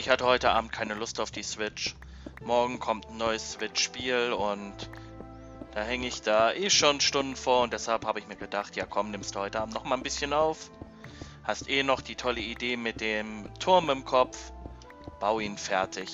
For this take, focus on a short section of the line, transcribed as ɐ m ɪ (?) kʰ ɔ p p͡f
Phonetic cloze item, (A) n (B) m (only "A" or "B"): B